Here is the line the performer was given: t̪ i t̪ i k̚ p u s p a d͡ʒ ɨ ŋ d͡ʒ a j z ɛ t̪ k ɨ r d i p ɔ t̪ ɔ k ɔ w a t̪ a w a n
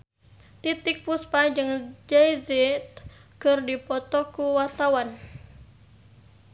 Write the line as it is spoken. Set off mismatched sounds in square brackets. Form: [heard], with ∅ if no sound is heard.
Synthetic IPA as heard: t̪ i t̪ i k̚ p u s p a d͡ʒ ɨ ŋ d͡ʒ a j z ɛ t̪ k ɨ r d i p ɔ t̪ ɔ k [u] w a t̪ a w a n